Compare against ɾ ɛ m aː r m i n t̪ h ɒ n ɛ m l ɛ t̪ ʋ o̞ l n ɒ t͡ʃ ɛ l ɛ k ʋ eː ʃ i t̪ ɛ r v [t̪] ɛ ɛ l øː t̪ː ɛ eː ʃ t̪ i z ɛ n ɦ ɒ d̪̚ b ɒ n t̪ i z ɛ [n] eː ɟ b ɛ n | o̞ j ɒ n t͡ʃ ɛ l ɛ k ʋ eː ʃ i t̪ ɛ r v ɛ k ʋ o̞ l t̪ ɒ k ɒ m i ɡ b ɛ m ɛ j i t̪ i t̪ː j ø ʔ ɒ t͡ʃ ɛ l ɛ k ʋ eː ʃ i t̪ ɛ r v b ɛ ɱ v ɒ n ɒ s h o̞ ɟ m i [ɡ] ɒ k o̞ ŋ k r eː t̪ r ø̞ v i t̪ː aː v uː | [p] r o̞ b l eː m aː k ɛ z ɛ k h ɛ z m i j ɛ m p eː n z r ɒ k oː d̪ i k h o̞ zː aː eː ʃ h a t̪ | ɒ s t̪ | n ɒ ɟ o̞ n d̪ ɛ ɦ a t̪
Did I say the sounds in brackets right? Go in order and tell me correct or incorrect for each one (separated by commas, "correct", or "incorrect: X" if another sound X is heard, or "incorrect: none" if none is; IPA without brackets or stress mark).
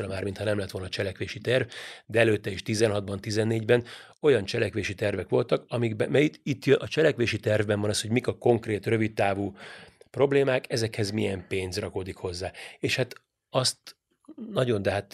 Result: incorrect: d̪, incorrect: nː, incorrect: k, correct